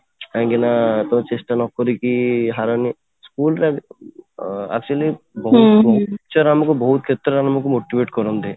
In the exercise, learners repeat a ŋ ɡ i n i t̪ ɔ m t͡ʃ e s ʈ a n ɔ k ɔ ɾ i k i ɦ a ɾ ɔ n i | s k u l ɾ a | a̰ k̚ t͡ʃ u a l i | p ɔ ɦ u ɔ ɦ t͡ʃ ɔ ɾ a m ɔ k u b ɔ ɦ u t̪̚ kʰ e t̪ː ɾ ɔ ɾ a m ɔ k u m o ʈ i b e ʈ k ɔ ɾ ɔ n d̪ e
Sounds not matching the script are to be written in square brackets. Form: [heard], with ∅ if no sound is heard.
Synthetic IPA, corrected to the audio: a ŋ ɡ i n [a] t̪ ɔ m t͡ʃ e s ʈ a n ɔ k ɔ ɾ i k i ɦ a ɾ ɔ n i | s k u l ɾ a | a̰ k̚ t͡ʃ u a l i | [b] ɔ ɦ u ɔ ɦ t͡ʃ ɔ ɾ a m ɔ k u b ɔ ɦ u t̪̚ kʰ e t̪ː ɾ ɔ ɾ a m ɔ k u m o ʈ i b e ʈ k ɔ ɾ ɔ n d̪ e

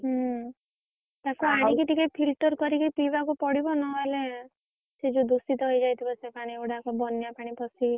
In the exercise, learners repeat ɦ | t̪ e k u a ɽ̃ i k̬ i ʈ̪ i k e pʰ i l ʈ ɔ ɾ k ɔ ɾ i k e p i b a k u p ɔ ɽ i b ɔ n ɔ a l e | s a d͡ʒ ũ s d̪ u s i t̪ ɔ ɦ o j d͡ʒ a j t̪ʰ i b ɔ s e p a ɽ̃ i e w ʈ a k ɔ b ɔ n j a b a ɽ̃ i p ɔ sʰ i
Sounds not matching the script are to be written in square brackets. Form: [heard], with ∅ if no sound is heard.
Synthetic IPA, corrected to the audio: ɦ | t̪ [a] k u a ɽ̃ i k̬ i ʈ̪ i k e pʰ i l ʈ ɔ ɾ k ɔ ɾ i k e p i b a k u p ɔ ɽ i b ɔ n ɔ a l e | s [e] d͡ʒ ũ [∅] d̪ u s i t̪ ɔ ɦ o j d͡ʒ a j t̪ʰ i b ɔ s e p a ɽ̃ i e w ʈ a k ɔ b ɔ n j a [p] a ɽ̃ i p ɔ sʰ i

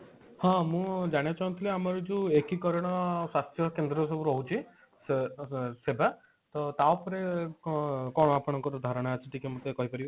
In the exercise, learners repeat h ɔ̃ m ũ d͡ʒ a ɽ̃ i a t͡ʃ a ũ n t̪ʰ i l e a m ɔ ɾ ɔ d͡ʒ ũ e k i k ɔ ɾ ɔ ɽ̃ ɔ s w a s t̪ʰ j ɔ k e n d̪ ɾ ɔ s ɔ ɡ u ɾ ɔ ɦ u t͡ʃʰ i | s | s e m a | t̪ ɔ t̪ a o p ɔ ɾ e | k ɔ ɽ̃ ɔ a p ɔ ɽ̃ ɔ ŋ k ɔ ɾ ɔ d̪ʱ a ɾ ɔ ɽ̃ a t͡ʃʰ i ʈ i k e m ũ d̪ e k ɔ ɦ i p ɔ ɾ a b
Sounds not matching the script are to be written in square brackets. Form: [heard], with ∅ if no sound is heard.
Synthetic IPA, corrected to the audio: h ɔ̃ m ũ d͡ʒ a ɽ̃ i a t͡ʃ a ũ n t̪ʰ i l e a m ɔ ɾ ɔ d͡ʒ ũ e k i k ɔ ɾ ɔ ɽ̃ ɔ s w a s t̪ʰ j ɔ k e n d̪ ɾ ɔ s ɔ [b] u ɾ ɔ ɦ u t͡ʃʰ i | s | s e [b] a | t̪ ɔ t̪ a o p ɔ ɾ e | k ɔ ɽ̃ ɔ a p ɔ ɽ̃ ɔ ŋ k ɔ ɾ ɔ d̪ʱ a ɾ ɔ ɽ̃ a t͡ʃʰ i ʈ i k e m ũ [t̪] e k ɔ ɦ i p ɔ ɾ [i] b

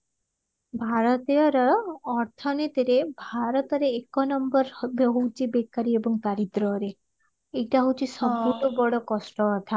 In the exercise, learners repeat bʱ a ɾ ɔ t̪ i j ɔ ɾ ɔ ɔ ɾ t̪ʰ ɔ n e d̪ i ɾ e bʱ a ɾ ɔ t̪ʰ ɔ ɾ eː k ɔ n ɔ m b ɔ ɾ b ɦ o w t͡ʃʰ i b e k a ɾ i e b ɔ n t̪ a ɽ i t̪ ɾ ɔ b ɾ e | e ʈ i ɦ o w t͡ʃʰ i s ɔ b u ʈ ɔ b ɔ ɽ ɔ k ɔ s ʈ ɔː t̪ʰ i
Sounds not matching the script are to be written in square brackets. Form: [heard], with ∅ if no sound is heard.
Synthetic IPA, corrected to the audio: bʱ a ɾ ɔ t̪ i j ɔ ɾ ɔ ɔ ɾ t̪ʰ ɔ n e [t̪] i ɾ e bʱ a ɾ ɔ [t̪] ɔ ɾ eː k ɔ n ɔ m b ɔ ɾ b ɦ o w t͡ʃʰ i b e k a ɾ i e b ɔ [ŋ] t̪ a [ɾ] i t̪ ɾ ɔ [∅] ɾ e | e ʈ [a] ɦ o w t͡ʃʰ i s ɔ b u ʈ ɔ b ɔ ɽ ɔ k ɔ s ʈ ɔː t̪ʰ [a]

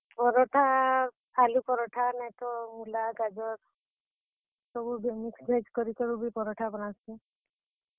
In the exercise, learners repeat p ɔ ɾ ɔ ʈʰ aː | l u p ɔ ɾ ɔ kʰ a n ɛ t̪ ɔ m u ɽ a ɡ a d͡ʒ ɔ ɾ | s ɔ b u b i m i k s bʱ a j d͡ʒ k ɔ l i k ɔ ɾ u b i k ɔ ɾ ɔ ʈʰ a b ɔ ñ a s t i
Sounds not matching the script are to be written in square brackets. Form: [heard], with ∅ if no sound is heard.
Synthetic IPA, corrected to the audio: p ɔ ɾ ɔ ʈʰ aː | l u p ɔ ɾ ɔ [ʈʰ] a n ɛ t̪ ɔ m u [l] a ɡ a d͡ʒ ɔ ɾ | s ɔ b u b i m i k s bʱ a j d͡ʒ k ɔ [ɾ] i k ɔ ɾ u b i [p] ɔ ɾ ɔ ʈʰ a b ɔ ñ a s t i

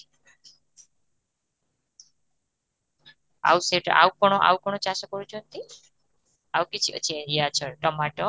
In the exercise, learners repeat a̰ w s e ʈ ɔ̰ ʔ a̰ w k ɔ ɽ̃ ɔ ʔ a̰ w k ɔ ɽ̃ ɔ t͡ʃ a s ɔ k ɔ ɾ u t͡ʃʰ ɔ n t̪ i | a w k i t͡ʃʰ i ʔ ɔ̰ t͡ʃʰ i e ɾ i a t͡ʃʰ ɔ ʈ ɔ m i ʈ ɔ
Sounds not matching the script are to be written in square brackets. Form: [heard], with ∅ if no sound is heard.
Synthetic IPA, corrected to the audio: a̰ w s e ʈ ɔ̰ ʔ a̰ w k ɔ ɽ̃ ɔ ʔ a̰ w k ɔ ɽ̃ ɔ t͡ʃ a s ɔ k ɔ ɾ u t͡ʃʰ ɔ n t̪ i | a w k i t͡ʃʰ i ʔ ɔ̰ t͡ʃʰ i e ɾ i a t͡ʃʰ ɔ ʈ ɔ m [a] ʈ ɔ

